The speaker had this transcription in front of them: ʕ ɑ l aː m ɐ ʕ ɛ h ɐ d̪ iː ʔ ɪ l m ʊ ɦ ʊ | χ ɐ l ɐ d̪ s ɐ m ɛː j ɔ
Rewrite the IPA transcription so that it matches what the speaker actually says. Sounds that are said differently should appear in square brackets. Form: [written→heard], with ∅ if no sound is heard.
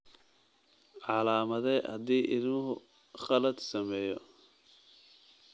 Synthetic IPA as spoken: ʕ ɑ l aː m ɐ [ʕ→ð] ɛ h ɐ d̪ iː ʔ ɪ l m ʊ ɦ ʊ | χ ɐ l ɐ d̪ s ɐ m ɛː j ɔ